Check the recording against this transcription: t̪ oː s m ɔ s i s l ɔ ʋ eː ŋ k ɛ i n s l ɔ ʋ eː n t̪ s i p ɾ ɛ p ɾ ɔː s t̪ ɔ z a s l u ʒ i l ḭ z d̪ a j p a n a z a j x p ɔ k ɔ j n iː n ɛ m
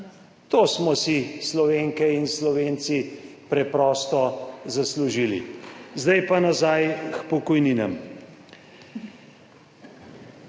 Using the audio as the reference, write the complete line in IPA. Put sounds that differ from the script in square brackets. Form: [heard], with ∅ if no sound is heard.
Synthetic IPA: t̪ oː s m ɔ s i s l ɔ ʋ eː ŋ k ɛ i n s l ɔ ʋ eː n t̪ s i p ɾ ɛ p ɾ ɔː s t̪ ɔ z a s l u ʒ i l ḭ z d̪ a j p a n a z a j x p ɔ k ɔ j n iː n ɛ m